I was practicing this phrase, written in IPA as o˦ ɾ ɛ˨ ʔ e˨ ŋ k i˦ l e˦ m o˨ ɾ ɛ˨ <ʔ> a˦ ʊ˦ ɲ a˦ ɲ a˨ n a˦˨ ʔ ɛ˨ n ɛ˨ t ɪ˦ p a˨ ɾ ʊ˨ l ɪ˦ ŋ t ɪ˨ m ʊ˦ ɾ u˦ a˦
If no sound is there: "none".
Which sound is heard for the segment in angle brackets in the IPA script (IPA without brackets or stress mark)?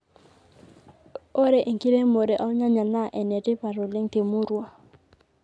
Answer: ʔ